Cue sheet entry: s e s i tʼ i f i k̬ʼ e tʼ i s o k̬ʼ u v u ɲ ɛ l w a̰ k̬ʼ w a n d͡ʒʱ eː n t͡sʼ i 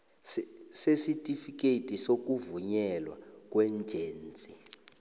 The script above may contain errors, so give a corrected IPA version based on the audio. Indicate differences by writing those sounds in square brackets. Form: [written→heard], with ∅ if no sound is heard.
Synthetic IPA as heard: s e s i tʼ i f i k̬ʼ e tʼ i s o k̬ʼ u v u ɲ ɛ l w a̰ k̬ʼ w [a→ɛ] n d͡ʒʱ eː n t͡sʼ i